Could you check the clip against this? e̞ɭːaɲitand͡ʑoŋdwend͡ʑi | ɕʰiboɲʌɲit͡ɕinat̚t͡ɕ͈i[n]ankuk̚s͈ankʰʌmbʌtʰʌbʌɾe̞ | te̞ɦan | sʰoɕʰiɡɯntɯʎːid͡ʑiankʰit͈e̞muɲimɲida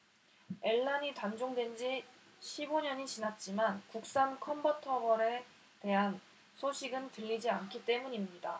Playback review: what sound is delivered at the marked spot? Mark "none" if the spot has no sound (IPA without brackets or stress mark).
m